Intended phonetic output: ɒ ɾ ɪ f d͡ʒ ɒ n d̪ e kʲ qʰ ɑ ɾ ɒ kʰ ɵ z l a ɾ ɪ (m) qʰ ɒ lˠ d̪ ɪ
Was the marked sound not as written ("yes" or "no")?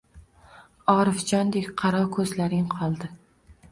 yes